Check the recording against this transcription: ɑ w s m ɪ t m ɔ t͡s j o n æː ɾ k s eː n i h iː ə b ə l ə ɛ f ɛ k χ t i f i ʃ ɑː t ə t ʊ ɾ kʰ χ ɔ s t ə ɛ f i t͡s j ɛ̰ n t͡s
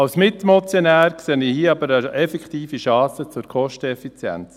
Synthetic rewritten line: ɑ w s m ɪ t m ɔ t͡s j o n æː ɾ k s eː n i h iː ɑ b ə ɾ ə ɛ f ɛ k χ t iː f i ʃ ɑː s ə t͡s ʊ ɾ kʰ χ ɔ ʃ t ə ɛ f i t͡s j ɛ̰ n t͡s